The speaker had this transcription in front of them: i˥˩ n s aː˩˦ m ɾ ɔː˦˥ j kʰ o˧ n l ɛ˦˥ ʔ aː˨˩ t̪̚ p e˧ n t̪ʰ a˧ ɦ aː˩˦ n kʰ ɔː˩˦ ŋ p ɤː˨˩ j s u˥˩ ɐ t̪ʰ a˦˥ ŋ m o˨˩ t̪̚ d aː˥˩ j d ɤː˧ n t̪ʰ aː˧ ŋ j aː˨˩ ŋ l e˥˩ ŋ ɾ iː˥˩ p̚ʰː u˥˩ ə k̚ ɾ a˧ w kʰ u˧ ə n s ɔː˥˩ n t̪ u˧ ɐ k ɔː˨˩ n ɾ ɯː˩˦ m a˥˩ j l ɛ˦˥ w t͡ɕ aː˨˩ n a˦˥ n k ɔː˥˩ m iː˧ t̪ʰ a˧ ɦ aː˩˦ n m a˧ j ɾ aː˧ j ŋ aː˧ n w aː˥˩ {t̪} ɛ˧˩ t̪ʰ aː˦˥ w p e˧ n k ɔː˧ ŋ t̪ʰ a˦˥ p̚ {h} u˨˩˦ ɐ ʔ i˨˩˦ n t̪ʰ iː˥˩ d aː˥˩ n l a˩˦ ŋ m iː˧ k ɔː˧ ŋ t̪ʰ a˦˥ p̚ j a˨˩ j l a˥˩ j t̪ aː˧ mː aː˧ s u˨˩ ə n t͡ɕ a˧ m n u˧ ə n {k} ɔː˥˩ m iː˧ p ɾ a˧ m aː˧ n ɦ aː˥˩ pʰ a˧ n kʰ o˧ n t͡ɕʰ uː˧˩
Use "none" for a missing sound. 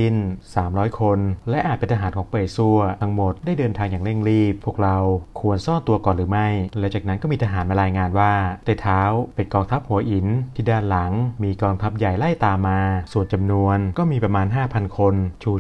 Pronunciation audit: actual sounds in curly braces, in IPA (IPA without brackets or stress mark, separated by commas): t̪, h, k